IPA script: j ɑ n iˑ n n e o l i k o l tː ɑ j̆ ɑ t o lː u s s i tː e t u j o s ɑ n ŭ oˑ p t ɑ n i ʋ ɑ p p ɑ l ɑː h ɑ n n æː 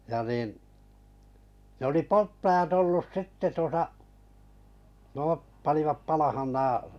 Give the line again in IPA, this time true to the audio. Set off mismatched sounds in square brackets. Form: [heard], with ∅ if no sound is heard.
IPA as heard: j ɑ n iˑ n n e o l i [p] o l tː ɑ j̆ ɑ t o lː u s s i tː e t u [∅] o s ɑ n ŭ oˑ p [p] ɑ n i ʋ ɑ p p ɑ l [ɑ] h ɑ n n æː

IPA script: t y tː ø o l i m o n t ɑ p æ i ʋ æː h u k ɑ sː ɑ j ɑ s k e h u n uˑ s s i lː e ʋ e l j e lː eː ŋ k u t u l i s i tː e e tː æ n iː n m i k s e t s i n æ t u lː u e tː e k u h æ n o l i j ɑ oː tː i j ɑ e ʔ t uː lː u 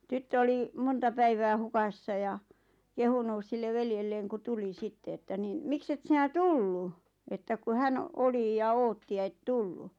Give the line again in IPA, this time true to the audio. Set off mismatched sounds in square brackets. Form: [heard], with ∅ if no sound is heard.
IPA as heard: t y tː ø o l i m o n t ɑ p æ i ʋ æː h u k ɑ sː ɑ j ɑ [∅] k e h u n uˑ s s i lː e ʋ e l j e lː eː ŋ k u t u l i s i tː e e tː æ n iː n m i k s e t s i n æ t u lː u e tː [æ] k u h æ n o l i j ɑ oː tː i j ɑ e [t] t [u] lː u

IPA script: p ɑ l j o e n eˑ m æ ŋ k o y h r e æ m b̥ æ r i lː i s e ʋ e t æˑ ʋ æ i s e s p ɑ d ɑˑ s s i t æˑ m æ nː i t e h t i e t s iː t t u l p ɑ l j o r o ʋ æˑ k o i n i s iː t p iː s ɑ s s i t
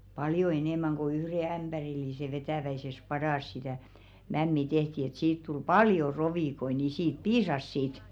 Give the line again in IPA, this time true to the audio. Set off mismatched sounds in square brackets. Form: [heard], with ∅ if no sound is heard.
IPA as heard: p ɑ l j o e n eˑ m æ ŋ k o y h r e æ m b̥ æ r i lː i s e ʋ e t æˑ ʋ æ i s e s p ɑ d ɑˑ s s i t æˑ m æ [mː] i t e h t i e t s iː t t u l p ɑ l j o r o ʋ [iˑ] k o i n i s iː t p iː s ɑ s s i t

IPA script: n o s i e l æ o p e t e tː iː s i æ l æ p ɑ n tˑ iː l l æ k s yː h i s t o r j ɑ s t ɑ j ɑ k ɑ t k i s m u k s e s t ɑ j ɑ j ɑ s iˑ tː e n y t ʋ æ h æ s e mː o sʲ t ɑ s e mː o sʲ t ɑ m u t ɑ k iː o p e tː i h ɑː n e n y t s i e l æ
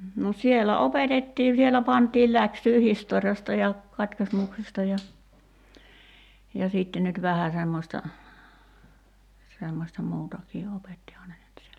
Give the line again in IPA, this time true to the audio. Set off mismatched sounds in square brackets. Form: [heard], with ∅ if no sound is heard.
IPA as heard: n o s i e l æ o p e t e tː iː s i [e] l æ p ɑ n tˑ iː l l æ k s yː h i s t o r j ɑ s t ɑ j ɑ k ɑ t k i s m u k s e s t ɑ j ɑ j ɑ s iˑ tː e n y t ʋ æ h æ s e mː o sʲ t ɑ s e mː o sʲ t ɑ m [uː] t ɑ k iː o p e tː i h ɑː n e n y t s i e l æ

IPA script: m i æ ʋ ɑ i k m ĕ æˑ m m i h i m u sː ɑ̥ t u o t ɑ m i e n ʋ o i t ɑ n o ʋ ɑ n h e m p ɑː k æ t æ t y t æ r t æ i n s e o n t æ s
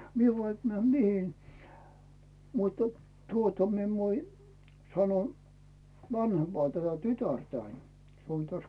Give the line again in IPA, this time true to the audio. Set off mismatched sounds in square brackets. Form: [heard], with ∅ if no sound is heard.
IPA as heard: m i [e] ʋ ɑ i k m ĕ æˑ m m i h i m u [tː] ɑ̥ t u o t ɑ m i e n ʋ o i [s] ɑ n o ʋ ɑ n h e m p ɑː [t] æ t æ t y t æ r t æ i n s e o n t æ s

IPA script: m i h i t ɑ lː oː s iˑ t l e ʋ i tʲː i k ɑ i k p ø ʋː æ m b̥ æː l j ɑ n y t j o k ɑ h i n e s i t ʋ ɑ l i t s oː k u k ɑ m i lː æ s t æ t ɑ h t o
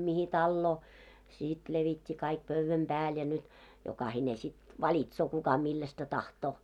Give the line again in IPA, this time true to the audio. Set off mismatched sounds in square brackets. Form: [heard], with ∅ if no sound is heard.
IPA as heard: m i h i t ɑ lː oː s iˑ t l e ʋ i tʲː i k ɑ i k p ø ʋː æ m b̥ æː l j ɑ n y t j o k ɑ h i n e s i t ʋ ɑ l i t s oː k u k ɑ m i lː æ s t æ t ɑ h t [oː]

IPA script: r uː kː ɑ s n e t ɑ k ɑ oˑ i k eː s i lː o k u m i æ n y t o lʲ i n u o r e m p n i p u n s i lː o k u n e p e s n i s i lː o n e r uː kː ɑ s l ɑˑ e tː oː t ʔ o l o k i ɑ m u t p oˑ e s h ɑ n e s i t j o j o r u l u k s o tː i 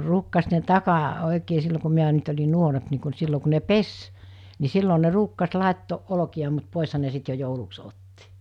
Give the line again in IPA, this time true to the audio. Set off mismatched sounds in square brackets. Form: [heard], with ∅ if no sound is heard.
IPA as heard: r uː kː ɑ s n e t ɑ k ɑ oˑ i k eː s i lː o k u m i æ n y t o lʲ i n u o r e m p n i [k] u n s i lː o k u n e p e s n i s i lː o n e r uː kː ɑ s l ɑˑ e tː oː [ʔ] ʔ o l o k i ɑ m u t p oˑ e s h ɑ n e s i t j o j o [∅] u l u k s o tː i

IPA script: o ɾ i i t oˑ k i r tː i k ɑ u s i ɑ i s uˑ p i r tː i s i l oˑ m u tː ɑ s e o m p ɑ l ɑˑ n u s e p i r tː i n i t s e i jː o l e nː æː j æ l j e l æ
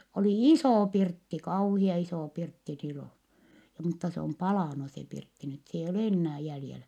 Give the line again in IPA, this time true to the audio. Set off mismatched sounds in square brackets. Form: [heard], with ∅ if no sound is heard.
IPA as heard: o [l] i i [s] oˑ [p] i r tː i k ɑ u [h] i ɑ i s [oˑ] p i r tː i s i l oˑ m u tː ɑ s e o m p ɑ l ɑˑ n u s e p i r tː i n [y] t s e i jː o l e nː æː j æ l j e l æ

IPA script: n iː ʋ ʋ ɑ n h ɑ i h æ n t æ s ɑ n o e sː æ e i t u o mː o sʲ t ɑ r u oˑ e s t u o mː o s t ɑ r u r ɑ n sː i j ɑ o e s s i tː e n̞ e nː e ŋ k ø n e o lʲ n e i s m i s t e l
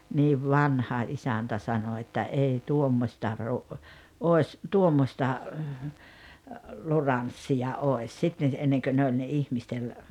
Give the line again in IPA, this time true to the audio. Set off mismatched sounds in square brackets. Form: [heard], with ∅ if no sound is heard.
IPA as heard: n iː ʋ ʋ ɑ n h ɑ i [s] æ n t æ s ɑ n o e [tː] æ e i t u o mː o sʲ t ɑ r u oˑ e s t u o mː o s t ɑ [l] u r ɑ n sː i j ɑ o e s s i tː e n̞ e nː e ŋ k ø n e o lʲ n e i [h] m i s t e l

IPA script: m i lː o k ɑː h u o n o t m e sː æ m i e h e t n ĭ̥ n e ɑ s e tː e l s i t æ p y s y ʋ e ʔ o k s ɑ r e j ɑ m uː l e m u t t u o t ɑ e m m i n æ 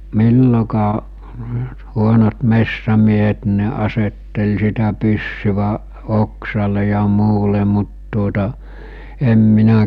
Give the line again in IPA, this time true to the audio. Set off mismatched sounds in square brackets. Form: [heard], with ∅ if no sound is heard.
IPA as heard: m i lː o k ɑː h u o n o t m e sː æ m i e h e t n ĭ̥ n e ɑ s e tː e l s i t æ p y [sː] y ʋ [æ] ʔ o k s ɑ [l] e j ɑ m uː l e m u t t u o t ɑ e m m i n æ

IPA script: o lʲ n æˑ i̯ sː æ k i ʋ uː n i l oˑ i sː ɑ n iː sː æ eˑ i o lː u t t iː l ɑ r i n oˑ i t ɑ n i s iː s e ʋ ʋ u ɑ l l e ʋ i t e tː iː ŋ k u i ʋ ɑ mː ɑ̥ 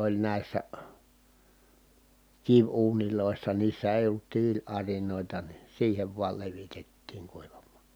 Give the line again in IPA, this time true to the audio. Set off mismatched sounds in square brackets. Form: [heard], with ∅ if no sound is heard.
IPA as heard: o lʲ n æˑ i̯ sː æ k i ʋ uː n i l oˑ i sː ɑ n iː sː æ eˑ i o lː u t t iː l ɑ r i n oˑ i t ɑ n i s iː [h] e ʋ ʋ u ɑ l l e ʋ i t e tː iː ŋ k u i ʋ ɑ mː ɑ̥

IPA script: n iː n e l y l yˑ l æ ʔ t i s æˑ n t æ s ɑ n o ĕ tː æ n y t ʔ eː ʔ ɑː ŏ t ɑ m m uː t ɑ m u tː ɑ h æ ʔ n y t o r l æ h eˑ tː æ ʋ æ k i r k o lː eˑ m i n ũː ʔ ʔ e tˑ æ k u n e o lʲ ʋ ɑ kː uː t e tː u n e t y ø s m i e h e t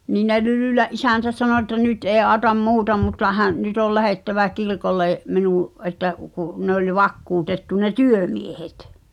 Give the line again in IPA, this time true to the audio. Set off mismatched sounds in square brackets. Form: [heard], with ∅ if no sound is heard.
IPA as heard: n iː n e l y l yˑ l æ ʔ [ʔ] i s æˑ n t æ s ɑ n o ĕ tː æ n y t ʔ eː ʔ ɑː ŏ t ɑ m m uː t ɑ m u tː ɑ h æ ʔ n y t o [l] l æ h eˑ tː æ ʋ æ k i r k o lː eˑ m i n ũː ʔ ʔ e tˑ æ k u n e o lʲ ʋ ɑ kː uː t e tː u n e t y ø [∅] m i e h e t

